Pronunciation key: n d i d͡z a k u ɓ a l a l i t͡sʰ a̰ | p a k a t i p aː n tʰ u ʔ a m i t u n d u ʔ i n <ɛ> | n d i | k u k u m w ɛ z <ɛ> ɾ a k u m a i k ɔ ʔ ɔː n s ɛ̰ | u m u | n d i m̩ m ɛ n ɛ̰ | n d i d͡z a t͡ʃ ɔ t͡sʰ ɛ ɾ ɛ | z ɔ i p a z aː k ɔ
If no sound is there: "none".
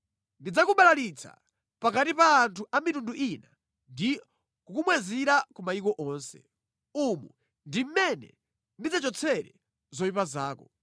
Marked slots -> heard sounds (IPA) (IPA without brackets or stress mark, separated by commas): a, i